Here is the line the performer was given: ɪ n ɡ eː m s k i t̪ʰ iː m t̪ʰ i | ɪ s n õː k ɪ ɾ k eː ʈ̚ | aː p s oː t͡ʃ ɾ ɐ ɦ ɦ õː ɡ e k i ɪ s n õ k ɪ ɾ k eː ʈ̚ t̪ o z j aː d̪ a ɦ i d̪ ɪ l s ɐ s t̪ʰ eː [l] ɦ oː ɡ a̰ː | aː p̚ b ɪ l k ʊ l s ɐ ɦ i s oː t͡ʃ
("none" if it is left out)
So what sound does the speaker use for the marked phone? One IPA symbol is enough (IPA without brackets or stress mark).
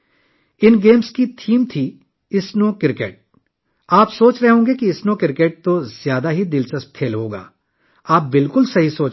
l